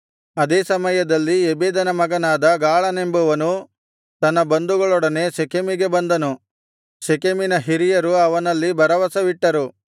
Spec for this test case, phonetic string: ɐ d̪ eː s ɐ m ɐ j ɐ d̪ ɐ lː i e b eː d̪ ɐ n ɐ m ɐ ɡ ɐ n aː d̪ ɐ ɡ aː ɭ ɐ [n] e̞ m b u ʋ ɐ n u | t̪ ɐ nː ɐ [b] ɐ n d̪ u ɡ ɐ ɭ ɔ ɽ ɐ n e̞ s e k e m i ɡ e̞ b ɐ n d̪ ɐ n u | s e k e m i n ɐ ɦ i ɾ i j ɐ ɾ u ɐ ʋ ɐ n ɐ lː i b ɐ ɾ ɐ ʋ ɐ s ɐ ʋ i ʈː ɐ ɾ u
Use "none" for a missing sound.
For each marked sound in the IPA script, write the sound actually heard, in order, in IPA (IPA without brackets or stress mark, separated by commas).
n, b